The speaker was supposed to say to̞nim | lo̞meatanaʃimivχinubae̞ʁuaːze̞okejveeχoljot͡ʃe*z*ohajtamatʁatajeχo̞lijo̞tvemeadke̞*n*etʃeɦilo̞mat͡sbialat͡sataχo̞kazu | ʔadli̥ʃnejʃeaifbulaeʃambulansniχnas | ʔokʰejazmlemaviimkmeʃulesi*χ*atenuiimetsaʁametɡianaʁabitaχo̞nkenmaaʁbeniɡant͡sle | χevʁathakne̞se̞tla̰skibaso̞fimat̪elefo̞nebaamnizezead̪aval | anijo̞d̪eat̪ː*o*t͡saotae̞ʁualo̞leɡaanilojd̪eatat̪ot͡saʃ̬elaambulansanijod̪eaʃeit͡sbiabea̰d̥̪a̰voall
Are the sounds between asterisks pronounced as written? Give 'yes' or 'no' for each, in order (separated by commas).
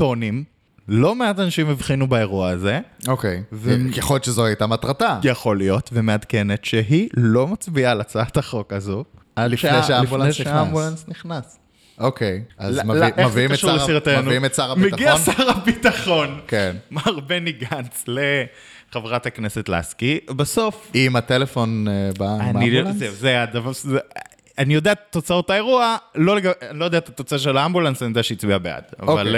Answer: yes, yes, no, yes